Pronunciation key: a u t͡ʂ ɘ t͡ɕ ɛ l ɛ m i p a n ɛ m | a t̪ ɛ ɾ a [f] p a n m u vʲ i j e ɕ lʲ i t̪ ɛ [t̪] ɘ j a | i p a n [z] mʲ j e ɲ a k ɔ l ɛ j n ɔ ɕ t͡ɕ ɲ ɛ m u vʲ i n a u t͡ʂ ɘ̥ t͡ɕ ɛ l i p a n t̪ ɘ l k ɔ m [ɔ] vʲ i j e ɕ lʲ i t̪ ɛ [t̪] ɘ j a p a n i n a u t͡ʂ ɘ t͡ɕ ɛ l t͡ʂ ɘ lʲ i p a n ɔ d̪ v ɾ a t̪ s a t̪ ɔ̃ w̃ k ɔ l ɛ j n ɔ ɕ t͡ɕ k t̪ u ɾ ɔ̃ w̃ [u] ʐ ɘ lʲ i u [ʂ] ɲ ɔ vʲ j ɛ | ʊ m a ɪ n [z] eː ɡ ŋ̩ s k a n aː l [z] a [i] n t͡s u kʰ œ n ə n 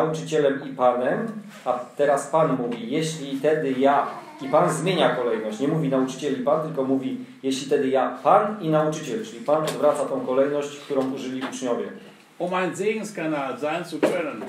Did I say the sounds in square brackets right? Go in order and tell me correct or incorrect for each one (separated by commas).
incorrect, incorrect, correct, incorrect, incorrect, correct, incorrect, correct, correct, incorrect